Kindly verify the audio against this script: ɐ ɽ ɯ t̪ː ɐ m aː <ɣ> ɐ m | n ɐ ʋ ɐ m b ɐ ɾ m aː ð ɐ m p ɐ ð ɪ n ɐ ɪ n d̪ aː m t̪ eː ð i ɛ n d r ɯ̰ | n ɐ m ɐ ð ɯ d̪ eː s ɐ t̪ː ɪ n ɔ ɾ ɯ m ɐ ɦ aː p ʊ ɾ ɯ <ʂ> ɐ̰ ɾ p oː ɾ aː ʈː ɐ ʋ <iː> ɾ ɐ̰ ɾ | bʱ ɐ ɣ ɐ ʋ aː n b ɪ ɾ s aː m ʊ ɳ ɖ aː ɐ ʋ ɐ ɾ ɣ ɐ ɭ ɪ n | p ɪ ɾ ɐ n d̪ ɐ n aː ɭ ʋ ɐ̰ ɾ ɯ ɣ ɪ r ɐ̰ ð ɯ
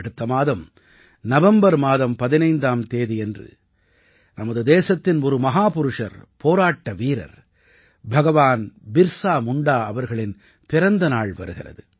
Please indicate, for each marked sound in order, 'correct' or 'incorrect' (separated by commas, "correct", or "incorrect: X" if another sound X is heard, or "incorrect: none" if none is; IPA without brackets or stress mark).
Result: incorrect: ð, correct, correct